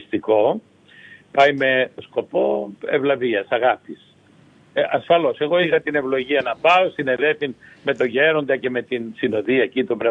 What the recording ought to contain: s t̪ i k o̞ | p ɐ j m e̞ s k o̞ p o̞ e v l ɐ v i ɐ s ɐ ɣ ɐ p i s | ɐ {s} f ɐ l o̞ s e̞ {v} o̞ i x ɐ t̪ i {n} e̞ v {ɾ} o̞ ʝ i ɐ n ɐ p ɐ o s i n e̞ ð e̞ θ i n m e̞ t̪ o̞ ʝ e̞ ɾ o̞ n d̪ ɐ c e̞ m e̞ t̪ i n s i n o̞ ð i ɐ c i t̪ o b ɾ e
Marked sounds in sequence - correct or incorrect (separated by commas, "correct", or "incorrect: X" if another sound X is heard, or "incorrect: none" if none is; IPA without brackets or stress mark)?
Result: correct, incorrect: ɣ, correct, incorrect: l